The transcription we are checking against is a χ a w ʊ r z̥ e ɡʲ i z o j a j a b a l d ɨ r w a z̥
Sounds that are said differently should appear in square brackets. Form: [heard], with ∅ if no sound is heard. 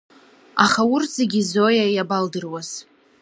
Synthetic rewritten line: a χ a w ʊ r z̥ e ɡʲ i z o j a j a b a l d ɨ r w a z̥